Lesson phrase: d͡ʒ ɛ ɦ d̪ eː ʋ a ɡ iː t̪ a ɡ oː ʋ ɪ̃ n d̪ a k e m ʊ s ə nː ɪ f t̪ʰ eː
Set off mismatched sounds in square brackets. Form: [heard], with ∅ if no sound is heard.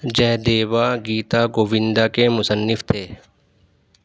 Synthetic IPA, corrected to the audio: d͡ʒ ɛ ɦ d̪ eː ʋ a ɡ iː t̪ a ɡ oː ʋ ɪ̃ n d̪ a k e m ʊ s ə nː ɪ f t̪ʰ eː